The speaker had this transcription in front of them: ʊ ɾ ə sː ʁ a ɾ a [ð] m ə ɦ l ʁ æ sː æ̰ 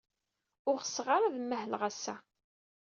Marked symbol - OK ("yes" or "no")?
yes